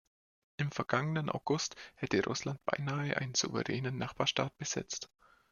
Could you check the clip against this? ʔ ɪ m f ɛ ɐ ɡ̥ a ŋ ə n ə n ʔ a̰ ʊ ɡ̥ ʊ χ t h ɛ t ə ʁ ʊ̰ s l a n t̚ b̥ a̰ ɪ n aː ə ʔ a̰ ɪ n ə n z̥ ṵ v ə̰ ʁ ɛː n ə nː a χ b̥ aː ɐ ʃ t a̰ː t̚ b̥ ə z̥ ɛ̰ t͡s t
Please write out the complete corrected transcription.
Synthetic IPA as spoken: ʔ ɪ m f ɛ ɐ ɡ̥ a ŋ ə n ə n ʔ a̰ ʊ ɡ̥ ʊ s t h ɛ t ə ʁ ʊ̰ s l a n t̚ b̥ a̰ ɪ n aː ə ʔ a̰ ɪ n ə n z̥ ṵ v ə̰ ʁ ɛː n ə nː a χ b̥ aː ɐ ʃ t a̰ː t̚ b̥ ə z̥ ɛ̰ t͡s t